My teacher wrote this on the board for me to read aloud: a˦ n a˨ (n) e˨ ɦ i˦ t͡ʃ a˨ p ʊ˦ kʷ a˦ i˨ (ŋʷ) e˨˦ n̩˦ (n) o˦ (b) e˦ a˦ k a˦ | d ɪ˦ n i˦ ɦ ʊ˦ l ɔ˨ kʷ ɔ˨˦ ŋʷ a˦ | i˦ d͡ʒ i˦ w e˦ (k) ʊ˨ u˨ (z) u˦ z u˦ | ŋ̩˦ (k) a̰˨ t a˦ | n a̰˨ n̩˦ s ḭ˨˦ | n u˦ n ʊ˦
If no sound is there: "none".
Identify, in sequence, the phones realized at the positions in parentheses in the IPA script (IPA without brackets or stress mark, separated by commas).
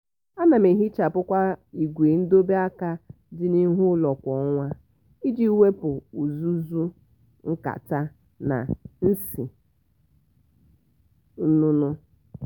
m, ɡʷ, d, b, p, z, k